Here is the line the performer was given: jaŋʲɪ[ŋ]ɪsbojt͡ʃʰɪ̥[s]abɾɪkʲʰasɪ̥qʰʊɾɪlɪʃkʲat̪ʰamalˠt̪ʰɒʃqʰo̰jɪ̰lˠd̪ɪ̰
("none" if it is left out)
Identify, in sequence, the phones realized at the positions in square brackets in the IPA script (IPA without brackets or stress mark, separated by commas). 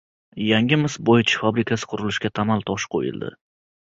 m, f